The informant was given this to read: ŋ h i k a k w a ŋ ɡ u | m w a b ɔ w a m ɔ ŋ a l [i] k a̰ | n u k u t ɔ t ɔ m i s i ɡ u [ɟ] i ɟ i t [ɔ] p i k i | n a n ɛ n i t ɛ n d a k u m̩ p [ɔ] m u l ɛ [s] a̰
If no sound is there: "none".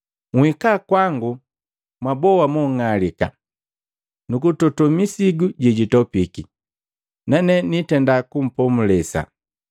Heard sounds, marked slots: i, ɟ, ɔ, ɔ, s

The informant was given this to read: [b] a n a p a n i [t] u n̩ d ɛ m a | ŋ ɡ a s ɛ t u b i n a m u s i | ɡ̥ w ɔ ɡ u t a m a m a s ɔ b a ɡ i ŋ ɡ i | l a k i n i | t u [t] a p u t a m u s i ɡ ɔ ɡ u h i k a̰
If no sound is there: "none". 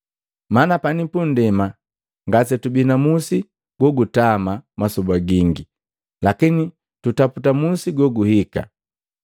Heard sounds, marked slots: m, p, t

